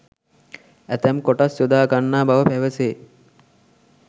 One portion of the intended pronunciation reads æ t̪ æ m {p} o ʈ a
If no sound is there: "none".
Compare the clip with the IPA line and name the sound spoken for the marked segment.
k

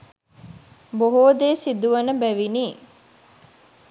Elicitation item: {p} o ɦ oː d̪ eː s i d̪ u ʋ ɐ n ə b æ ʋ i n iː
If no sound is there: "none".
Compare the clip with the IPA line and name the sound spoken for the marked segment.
b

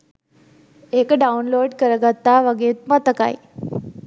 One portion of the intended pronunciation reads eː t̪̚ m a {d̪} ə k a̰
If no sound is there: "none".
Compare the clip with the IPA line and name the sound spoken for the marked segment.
t̪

